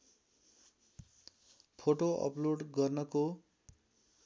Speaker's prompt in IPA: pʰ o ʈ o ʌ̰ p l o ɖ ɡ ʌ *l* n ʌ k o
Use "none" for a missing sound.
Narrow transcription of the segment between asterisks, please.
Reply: r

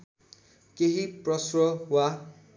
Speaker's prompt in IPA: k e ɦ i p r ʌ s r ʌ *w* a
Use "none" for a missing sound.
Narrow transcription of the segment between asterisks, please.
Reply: w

